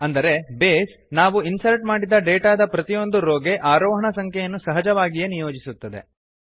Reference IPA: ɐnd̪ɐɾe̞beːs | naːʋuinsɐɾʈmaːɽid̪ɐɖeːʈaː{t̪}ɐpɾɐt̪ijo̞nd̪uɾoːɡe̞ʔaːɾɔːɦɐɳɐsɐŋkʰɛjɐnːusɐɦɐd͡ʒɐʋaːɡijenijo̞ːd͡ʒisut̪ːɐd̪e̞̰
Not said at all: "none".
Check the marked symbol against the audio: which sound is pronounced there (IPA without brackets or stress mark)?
d̪